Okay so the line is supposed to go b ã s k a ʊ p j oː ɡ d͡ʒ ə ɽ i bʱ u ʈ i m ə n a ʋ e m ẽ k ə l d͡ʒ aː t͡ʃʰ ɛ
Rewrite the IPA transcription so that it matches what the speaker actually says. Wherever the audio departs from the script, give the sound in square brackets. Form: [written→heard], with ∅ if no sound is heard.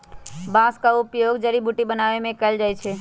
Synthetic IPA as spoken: b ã s k a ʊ p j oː ɡ d͡ʒ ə [ɽ→ɾ] i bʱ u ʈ i [m→b] ə n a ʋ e m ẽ k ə l d͡ʒ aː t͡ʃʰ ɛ